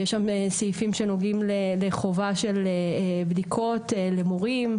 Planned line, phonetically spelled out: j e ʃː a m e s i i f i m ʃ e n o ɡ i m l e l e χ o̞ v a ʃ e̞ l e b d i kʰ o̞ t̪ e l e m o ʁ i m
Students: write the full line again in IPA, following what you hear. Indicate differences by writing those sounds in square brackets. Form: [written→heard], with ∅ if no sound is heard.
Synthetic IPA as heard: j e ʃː a m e s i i f i m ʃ e n o ɡ i m l e l e χ o̞ v a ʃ e̞ l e b d i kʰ o̞ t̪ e l e m o ʁ i m